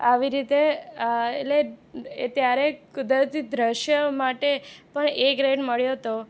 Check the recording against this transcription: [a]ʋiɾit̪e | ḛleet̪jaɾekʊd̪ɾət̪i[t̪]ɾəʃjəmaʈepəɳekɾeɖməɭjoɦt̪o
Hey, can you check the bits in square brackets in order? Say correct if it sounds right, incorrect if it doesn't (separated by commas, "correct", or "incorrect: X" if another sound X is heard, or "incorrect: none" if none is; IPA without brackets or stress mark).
correct, incorrect: d̪